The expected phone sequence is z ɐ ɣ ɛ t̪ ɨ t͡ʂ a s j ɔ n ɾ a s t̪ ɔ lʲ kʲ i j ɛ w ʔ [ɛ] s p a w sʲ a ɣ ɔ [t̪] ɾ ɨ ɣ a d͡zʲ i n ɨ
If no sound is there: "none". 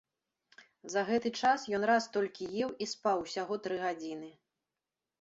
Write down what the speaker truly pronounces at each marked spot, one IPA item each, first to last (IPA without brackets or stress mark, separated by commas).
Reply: i, t̪